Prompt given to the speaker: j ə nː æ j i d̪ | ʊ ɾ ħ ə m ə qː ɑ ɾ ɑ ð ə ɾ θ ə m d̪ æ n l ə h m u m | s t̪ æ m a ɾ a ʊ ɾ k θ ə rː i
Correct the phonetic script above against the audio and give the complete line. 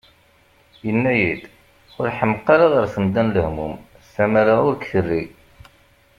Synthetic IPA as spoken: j ə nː æ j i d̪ | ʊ ɾ ħ ə m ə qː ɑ ɾ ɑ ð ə ɾ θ ə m d̪ æ n l ə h m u m | s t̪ æ m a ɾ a ʊ ɾ k θ ə rː i